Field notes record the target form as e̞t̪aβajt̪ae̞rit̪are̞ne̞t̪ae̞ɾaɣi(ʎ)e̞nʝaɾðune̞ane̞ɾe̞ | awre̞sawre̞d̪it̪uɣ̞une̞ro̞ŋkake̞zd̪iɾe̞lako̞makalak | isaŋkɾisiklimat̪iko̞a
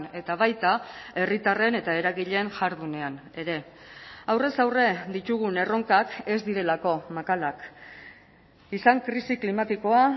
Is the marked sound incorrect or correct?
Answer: correct